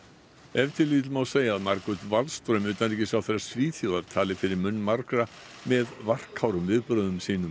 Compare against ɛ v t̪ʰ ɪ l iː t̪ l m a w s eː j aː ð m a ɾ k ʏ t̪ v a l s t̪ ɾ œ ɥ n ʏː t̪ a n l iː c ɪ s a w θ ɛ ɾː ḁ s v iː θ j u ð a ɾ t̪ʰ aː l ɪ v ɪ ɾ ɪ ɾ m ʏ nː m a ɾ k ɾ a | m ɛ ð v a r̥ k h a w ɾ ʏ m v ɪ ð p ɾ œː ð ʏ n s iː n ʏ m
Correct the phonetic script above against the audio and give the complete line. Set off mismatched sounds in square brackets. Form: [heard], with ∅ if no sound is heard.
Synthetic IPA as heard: ɛ v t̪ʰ ɪ l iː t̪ l m a w s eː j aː ð m a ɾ k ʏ t̪ v a l s t̪ ɾ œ ɥ [m] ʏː t̪ a n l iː c ɪ s a w θ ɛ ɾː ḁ s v iː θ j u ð a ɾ t̪ʰ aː l ɪ [f] ɪ ɾ ɪ ɾ m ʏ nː m a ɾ k ɾ a | m ɛ ð v a r̥ k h a w ɾ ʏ m v ɪ ð p ɾ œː ð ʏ [m] s iː n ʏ m